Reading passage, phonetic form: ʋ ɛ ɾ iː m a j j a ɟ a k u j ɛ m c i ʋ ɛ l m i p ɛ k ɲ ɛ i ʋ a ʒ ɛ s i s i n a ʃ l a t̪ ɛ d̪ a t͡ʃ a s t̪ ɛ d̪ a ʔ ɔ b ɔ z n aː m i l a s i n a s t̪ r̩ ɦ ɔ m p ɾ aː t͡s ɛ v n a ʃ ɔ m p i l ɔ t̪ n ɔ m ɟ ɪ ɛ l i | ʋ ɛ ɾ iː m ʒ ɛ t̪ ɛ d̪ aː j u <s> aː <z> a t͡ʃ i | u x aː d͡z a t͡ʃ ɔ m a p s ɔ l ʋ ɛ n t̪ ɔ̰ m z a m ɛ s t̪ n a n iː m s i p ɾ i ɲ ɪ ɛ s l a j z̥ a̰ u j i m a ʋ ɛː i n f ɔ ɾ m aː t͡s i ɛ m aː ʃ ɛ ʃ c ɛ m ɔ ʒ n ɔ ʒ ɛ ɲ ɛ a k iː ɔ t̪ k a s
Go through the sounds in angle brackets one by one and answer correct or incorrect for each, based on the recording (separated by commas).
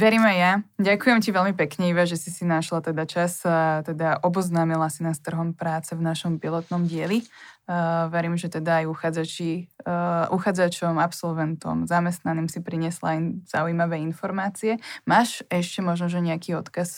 incorrect, incorrect